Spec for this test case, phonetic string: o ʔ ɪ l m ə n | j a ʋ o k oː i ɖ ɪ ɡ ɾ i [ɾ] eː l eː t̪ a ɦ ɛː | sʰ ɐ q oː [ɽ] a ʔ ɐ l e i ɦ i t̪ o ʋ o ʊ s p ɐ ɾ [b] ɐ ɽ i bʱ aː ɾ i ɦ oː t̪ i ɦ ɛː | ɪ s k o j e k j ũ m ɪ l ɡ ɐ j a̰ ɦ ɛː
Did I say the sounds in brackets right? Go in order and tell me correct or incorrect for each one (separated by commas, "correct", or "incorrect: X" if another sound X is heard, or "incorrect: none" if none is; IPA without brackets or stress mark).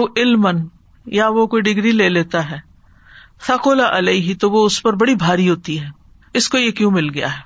incorrect: l, incorrect: l, correct